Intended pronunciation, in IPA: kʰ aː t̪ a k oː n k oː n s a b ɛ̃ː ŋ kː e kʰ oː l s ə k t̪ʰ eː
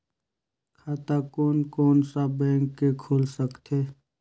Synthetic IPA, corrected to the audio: kʰ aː t̪ a k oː n k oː n s a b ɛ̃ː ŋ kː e kʰ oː l s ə k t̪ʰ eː